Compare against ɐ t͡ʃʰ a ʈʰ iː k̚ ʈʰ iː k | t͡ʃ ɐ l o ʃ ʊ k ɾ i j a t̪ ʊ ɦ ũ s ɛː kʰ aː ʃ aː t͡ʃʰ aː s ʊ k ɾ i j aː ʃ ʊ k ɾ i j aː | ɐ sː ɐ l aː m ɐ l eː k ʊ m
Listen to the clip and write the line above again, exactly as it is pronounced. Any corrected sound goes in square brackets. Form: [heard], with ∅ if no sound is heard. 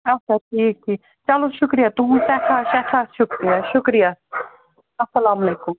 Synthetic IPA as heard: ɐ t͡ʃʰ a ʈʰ iː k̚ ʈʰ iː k | t͡ʃ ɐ l o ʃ ʊ k ɾ i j a t̪ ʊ ɦ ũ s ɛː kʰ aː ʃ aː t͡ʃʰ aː [ʃ] ʊ k ɾ i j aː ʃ ʊ k ɾ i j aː | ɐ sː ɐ l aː m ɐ l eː k ʊ m